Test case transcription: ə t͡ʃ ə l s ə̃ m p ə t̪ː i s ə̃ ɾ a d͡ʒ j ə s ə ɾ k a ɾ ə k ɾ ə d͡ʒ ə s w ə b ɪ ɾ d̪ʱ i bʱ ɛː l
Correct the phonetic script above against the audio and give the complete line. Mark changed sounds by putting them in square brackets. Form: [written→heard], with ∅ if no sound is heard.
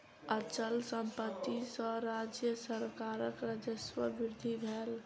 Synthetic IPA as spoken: ə t͡ʃ ə l s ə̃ m p ə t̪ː i s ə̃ ɾ a d͡ʒ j ə s ə ɾ k a ɾ ə k ɾ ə d͡ʒ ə s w ə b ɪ ɾ d̪ʱ i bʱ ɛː l